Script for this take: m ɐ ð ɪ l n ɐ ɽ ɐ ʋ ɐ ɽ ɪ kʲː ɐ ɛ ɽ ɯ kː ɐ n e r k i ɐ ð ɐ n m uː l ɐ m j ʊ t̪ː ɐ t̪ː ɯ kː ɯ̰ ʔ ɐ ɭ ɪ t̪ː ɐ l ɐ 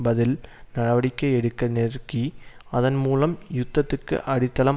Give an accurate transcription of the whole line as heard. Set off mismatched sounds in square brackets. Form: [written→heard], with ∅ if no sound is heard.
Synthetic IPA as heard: [m→b] ɐ ð ɪ l n ɐ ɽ ɐ ʋ ɐ ɽ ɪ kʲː ɐ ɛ ɽ ɯ kː ɐ n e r k i ɐ ð ɐ n m uː l ɐ m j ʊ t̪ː ɐ t̪ː ɯ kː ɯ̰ ʔ ɐ [ɭ→ɽ] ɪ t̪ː ɐ l ɐ